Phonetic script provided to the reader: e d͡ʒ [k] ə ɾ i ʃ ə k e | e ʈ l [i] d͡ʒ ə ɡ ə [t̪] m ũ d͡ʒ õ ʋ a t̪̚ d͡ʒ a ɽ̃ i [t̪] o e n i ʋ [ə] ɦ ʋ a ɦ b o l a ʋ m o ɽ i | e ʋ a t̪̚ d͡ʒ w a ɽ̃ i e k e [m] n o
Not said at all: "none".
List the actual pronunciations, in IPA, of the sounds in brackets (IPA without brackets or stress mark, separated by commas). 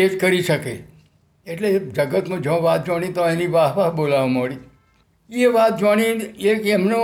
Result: k, e, t̪, t̪, a, m